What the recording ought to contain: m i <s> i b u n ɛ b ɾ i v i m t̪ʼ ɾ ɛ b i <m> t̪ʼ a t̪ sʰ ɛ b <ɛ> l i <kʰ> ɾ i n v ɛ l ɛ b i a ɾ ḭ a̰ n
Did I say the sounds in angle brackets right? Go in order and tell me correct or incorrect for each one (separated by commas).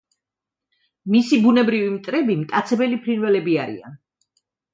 correct, correct, correct, incorrect